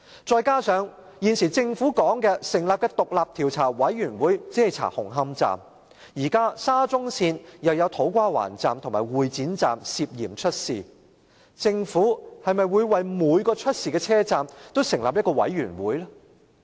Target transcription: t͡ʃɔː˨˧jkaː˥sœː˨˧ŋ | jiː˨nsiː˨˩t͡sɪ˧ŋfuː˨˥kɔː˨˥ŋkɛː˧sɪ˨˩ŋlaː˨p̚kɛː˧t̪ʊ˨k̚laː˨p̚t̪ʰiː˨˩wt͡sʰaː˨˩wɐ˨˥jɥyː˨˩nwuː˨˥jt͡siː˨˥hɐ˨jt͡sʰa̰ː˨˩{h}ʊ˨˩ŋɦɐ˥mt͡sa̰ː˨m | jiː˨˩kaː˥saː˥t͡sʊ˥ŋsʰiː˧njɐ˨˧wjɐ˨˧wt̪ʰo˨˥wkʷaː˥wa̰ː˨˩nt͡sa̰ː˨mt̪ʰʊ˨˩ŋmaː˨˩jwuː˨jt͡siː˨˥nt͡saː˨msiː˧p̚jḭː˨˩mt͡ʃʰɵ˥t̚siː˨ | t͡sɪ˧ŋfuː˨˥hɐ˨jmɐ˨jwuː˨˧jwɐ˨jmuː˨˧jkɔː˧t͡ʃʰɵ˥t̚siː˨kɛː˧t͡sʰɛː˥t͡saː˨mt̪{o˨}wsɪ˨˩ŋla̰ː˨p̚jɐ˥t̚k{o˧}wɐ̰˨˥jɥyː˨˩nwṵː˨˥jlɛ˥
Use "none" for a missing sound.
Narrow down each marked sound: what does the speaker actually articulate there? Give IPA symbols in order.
h, o˥, ɔ˧

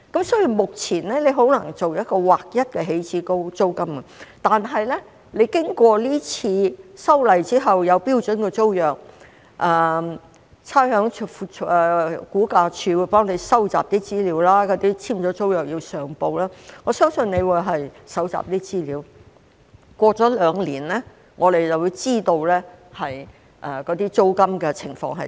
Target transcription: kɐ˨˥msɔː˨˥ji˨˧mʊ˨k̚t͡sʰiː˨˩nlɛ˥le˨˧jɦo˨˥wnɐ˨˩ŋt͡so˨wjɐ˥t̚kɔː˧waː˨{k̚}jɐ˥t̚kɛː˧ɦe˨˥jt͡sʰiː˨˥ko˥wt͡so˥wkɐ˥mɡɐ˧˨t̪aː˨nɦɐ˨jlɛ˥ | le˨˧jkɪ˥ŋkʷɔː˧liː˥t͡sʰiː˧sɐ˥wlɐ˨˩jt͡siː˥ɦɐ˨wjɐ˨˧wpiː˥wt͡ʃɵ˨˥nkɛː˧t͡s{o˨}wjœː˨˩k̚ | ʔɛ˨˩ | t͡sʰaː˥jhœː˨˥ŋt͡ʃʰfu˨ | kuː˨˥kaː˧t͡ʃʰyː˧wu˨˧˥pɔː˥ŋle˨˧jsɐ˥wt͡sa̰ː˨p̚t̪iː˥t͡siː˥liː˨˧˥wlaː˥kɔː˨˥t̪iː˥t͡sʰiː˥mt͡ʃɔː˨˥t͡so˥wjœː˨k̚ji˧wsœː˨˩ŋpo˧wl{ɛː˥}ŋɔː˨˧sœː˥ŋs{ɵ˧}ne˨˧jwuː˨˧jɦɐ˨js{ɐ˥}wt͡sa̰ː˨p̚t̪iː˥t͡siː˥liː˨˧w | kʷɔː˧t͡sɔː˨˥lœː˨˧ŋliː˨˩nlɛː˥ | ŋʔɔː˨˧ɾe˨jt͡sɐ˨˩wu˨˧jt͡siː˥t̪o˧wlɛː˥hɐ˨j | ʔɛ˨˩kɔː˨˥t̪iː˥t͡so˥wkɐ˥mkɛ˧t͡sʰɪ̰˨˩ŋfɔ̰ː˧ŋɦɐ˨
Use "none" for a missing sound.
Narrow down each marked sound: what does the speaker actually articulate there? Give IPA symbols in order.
k̚, o˥, aː˥, ɵ˧, ɐ˨˥

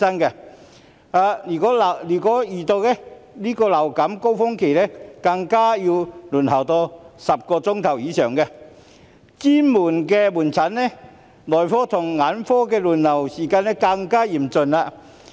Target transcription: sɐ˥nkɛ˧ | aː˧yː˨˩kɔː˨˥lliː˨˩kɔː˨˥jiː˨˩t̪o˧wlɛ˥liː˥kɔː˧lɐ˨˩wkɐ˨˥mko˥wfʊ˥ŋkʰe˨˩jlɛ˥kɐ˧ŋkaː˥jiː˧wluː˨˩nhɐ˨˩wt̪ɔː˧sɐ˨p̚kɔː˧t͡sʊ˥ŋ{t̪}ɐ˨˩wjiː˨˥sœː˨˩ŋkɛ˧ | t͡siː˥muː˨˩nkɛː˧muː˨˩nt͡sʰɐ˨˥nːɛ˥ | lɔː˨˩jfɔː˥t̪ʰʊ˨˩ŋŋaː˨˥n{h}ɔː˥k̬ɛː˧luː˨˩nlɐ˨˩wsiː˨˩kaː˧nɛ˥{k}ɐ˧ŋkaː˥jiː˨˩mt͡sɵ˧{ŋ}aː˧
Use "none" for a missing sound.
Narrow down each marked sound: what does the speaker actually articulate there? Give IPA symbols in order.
t̪ʰ, f, k, n

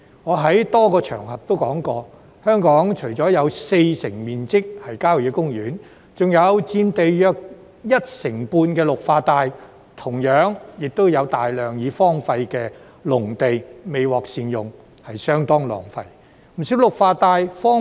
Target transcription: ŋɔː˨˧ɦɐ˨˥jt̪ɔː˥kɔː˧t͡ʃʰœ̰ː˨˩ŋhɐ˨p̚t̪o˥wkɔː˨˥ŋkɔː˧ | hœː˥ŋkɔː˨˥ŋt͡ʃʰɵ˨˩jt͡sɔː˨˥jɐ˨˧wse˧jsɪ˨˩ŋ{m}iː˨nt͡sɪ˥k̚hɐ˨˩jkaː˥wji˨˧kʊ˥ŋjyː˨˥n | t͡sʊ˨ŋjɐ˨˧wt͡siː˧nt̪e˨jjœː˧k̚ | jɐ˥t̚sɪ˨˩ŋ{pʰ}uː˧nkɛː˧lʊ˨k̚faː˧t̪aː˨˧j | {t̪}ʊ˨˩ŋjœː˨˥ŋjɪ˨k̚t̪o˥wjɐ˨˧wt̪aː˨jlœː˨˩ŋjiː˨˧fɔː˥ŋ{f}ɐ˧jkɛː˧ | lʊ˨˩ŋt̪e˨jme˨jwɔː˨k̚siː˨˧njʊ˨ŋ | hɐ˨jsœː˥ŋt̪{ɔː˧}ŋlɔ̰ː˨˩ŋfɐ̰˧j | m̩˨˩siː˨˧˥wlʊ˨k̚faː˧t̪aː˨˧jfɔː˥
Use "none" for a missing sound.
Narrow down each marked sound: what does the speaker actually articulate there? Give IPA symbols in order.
m, p, t̪ʰ, f, ɔː˥

